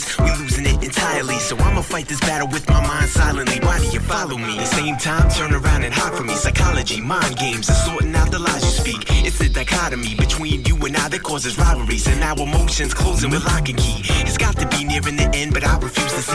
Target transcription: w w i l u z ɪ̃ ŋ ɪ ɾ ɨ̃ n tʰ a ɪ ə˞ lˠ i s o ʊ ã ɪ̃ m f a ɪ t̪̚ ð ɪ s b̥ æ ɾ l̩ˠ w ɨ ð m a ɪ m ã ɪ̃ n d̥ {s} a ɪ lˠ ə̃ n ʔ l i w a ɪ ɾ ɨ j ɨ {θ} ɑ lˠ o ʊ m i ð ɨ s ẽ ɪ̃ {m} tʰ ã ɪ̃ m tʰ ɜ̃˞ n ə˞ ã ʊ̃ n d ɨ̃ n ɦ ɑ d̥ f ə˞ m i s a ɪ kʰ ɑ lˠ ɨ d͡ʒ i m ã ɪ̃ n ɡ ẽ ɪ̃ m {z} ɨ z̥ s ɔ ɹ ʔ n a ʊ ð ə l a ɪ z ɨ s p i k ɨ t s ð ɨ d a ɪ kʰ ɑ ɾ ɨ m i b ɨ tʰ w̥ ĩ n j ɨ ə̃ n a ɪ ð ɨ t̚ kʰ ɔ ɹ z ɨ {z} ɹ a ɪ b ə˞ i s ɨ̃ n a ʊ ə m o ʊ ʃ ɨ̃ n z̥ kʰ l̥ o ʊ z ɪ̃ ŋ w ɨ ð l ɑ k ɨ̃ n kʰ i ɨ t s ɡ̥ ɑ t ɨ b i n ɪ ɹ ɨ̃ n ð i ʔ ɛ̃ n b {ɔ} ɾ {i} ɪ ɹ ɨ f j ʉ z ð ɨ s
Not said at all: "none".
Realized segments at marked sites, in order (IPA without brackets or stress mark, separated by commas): s, f, m, z, z, ʌ, a